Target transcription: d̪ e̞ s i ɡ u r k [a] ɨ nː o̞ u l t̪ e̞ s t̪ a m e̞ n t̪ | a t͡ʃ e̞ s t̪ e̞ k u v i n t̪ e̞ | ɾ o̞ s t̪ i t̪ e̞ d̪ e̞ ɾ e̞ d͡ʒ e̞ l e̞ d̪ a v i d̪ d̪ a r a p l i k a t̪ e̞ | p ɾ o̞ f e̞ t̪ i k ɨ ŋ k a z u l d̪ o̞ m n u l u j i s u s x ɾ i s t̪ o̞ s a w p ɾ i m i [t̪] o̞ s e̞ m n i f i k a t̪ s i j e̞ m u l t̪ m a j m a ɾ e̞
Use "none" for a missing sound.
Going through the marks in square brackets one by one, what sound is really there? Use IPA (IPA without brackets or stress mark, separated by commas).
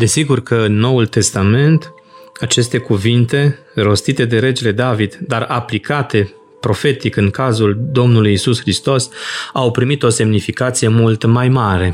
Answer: ə, t̪